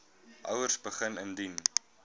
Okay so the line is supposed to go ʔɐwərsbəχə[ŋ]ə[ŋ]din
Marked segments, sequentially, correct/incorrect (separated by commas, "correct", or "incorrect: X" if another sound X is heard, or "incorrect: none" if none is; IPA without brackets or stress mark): incorrect: n, incorrect: n